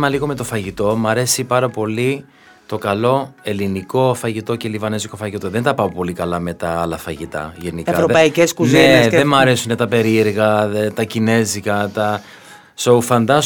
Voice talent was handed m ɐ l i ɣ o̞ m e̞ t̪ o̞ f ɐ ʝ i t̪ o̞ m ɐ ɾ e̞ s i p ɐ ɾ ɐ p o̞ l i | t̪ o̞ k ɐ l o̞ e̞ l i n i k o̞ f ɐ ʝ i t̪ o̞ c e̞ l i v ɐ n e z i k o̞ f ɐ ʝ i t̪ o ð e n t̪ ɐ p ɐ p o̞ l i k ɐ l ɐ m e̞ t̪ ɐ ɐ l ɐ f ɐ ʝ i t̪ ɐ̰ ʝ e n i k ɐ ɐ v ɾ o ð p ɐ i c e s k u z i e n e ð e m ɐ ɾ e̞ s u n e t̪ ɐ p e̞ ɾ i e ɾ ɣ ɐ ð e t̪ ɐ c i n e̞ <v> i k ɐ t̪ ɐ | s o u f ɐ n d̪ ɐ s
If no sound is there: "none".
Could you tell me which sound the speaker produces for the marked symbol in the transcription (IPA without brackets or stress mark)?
z